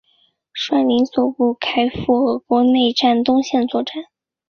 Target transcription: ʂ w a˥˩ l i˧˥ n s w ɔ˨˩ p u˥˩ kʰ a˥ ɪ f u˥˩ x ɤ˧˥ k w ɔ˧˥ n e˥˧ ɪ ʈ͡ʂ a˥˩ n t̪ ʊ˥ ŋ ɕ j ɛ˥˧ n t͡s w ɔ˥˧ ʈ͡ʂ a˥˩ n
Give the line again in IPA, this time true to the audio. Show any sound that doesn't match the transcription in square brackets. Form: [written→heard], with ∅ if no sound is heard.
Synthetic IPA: ʂ w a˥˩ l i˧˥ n s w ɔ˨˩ p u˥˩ kʰ a˥ ɪ f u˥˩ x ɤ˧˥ k w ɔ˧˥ n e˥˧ ɪ ʈ͡ʂ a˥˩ n t̪ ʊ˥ ŋ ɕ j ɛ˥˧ n t͡s w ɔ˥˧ ʈ͡ʂ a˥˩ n